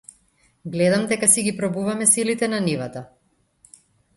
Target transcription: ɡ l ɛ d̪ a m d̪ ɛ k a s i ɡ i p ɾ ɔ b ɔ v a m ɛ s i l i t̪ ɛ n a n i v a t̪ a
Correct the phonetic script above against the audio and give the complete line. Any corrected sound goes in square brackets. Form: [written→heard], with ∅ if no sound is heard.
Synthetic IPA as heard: ɡ l ɛ d̪ a m d̪ ɛ k a s i ɡ i p ɾ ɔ b [ɔ→u] v a m ɛ s i l i t̪ ɛ n a n i v a t̪ a